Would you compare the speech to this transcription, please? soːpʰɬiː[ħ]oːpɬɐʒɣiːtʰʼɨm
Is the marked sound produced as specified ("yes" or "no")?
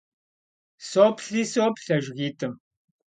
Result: no